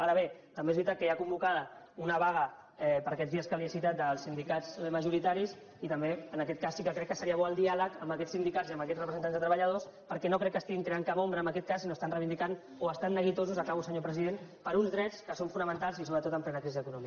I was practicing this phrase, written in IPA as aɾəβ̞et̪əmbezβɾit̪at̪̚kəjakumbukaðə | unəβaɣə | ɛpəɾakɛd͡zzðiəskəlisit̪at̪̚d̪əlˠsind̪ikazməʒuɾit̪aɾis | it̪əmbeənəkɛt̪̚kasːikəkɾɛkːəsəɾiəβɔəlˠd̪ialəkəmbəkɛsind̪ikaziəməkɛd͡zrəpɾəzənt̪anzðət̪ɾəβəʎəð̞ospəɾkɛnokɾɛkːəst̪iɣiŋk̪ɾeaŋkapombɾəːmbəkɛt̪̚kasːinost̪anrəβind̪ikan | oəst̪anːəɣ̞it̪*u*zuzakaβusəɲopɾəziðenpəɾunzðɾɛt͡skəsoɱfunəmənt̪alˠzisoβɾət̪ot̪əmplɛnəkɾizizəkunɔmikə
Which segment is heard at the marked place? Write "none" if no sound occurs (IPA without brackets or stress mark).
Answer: o